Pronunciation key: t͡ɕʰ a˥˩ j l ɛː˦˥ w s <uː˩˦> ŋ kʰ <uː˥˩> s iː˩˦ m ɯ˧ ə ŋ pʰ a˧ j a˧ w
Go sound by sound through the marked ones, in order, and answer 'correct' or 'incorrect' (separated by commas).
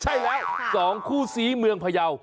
incorrect, correct